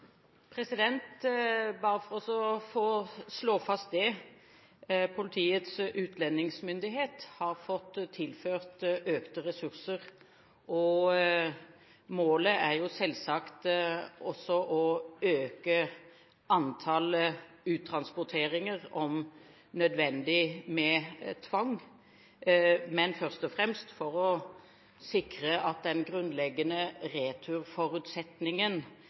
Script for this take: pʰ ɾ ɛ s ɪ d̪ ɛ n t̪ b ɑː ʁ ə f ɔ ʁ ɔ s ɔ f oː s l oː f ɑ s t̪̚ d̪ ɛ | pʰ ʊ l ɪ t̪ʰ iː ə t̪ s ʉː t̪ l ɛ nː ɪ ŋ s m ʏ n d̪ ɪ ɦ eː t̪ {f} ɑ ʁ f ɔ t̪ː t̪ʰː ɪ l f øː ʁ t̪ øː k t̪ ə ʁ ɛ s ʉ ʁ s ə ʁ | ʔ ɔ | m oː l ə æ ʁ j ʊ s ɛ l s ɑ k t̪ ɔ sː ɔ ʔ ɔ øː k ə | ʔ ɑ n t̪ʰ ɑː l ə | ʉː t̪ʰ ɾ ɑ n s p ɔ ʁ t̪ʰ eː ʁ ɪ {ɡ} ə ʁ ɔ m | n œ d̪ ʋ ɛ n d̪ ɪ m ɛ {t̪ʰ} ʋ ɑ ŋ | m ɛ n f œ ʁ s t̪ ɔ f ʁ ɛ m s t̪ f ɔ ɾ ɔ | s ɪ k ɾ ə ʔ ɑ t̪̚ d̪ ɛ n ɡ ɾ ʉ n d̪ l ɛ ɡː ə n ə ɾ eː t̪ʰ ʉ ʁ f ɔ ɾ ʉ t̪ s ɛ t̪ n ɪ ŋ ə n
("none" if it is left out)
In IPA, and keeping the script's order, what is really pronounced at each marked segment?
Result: h, ŋ, t̪ʰ

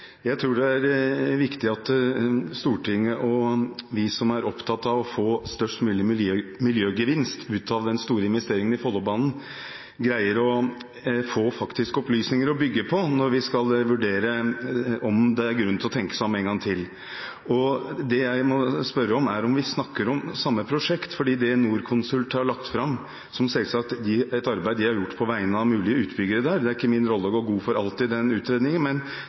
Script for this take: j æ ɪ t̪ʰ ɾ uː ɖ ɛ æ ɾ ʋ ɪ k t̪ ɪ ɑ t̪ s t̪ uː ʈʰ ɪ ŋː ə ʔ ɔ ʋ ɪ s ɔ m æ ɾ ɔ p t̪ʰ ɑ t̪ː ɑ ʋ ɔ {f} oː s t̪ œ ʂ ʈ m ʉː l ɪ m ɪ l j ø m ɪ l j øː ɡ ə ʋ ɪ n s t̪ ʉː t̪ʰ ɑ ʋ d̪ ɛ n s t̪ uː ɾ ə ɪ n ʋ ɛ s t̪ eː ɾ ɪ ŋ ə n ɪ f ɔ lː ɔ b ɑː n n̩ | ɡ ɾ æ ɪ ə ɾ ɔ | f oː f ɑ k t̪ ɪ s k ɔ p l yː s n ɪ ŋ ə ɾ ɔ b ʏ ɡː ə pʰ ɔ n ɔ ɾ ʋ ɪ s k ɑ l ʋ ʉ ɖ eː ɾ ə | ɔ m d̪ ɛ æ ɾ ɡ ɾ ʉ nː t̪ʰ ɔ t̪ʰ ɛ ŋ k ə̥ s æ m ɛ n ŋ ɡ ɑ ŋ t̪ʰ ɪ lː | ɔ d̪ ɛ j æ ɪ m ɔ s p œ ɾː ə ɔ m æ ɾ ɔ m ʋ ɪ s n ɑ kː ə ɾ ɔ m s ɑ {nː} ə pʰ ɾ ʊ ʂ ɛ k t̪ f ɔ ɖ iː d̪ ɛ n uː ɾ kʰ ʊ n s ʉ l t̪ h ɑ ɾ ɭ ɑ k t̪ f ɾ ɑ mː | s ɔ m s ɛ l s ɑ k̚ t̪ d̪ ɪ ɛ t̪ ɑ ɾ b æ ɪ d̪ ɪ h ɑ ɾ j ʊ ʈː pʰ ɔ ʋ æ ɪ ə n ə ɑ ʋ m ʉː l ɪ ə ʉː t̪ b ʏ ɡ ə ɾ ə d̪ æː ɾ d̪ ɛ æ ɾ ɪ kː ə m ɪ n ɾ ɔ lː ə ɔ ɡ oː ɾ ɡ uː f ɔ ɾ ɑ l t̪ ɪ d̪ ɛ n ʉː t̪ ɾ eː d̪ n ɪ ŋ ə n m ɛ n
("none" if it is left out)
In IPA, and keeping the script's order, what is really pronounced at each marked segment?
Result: f, mː

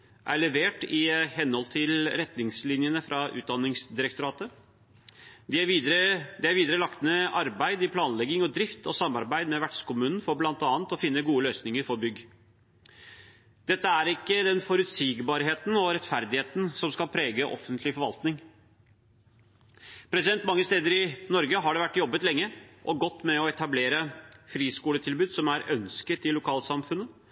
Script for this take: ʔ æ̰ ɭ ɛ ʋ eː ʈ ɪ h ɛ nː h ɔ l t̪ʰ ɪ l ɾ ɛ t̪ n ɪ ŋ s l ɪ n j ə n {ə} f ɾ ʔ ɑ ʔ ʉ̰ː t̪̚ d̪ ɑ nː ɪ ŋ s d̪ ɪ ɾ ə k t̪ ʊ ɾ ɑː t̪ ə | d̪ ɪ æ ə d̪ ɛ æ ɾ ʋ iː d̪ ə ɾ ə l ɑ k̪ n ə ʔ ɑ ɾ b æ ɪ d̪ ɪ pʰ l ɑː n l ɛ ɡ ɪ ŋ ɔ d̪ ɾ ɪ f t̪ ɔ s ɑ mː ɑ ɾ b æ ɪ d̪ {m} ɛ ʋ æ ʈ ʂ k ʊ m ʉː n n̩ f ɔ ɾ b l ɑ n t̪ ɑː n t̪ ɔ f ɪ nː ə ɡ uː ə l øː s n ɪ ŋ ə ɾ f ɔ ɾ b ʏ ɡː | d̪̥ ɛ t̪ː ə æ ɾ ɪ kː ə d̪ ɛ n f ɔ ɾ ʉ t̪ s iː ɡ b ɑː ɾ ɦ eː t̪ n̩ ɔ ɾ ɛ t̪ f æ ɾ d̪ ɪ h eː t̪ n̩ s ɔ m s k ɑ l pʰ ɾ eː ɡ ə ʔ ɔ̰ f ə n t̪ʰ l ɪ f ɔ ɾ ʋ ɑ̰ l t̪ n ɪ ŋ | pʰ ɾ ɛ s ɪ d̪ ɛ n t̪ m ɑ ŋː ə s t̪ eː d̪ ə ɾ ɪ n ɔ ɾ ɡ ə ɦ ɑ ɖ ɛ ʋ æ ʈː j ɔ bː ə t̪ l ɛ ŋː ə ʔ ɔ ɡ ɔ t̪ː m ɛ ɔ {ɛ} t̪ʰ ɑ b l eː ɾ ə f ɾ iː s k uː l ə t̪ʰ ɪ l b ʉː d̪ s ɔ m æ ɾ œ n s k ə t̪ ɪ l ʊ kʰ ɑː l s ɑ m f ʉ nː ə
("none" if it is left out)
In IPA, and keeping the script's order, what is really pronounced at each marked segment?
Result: ə, m, ɛ

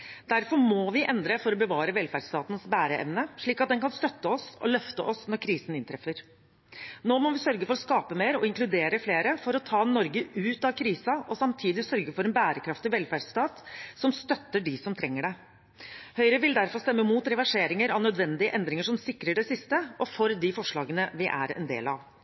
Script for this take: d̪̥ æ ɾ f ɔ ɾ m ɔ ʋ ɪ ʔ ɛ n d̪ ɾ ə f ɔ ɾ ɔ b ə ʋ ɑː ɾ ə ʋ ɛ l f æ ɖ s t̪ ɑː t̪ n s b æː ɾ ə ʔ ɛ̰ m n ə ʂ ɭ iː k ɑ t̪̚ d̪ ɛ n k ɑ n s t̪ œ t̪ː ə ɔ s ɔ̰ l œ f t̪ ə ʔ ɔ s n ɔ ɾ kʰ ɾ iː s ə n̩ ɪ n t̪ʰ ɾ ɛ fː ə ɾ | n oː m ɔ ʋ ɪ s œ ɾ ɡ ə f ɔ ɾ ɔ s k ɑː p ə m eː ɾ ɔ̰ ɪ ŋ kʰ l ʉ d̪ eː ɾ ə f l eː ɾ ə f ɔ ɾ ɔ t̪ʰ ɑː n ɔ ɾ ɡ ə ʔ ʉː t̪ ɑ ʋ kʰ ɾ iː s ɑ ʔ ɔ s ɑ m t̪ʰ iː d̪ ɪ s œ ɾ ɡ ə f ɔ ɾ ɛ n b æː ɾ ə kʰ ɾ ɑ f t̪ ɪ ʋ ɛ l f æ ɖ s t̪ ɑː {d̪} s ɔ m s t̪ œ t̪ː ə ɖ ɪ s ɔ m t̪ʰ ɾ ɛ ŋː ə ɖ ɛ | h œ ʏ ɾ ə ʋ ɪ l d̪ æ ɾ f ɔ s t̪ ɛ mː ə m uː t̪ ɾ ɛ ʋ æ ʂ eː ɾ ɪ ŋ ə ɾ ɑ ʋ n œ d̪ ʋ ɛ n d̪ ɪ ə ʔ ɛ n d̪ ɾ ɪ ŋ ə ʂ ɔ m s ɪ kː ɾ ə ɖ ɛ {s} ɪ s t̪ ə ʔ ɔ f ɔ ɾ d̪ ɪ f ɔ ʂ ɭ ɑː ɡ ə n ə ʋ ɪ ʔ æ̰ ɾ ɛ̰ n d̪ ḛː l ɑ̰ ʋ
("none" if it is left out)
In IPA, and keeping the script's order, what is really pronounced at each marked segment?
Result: t̪, s

